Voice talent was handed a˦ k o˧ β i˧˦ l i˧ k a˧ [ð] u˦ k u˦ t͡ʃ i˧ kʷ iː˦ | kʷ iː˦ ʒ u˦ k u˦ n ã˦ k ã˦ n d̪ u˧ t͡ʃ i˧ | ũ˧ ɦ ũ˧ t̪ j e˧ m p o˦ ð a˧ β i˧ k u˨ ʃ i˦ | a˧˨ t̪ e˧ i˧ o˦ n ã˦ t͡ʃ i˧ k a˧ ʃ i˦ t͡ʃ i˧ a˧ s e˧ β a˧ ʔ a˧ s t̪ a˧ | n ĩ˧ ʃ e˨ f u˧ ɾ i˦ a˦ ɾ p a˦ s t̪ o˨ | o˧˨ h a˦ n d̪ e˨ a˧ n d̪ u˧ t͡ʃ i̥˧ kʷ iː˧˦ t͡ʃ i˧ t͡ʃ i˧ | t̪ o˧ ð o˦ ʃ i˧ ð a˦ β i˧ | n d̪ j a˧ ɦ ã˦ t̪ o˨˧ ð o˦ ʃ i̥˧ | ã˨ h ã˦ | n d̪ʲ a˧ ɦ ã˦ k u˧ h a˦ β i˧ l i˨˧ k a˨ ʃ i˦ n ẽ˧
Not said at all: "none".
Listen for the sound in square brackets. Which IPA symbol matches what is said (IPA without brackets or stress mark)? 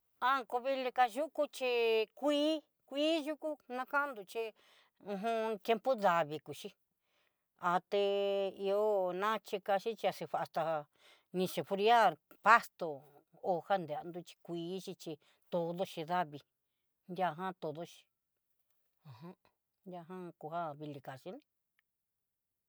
ʒ